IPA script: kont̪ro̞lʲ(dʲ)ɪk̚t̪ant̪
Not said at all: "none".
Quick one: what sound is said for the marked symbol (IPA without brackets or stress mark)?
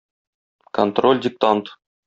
dʲ